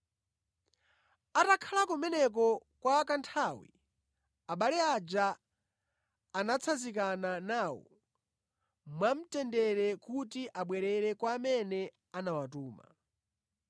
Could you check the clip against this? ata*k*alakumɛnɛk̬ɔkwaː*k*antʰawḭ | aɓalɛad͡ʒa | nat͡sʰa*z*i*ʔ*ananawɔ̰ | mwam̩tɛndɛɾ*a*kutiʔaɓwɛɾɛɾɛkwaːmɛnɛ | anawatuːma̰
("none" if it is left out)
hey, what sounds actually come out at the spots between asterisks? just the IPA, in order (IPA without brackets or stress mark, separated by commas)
kʰ, k, z, k, ɛ